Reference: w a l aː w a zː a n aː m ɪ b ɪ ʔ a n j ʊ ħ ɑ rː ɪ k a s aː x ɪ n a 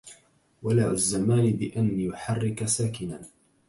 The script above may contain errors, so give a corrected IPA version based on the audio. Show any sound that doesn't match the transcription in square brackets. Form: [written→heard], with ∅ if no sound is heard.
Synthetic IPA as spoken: w a l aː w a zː a [n→m] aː [m→n] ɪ b ɪ ʔ a n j ʊ ħ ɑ rː ɪ k a s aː [x→k] ɪ n a